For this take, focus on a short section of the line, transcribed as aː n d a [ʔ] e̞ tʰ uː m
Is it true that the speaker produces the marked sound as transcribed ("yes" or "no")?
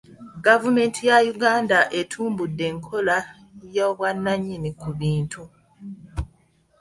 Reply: yes